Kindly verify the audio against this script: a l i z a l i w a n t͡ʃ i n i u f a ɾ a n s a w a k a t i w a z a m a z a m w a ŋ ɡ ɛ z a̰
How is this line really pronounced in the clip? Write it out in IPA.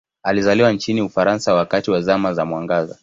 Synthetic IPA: a l i z a l i w a n t͡ʃ i n i u f a ɾ a n s a w a k a t i w a z a m a z a m w a ŋ ɡ a z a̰